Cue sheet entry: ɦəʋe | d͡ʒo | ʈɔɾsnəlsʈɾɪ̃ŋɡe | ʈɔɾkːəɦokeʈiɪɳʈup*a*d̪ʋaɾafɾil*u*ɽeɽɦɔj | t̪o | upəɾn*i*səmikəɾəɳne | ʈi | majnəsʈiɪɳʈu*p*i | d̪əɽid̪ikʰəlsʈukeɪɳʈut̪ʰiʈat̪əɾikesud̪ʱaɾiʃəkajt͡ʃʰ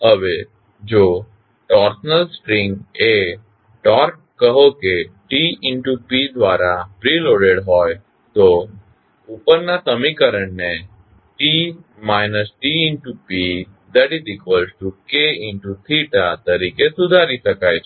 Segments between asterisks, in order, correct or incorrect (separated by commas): incorrect, incorrect, incorrect, correct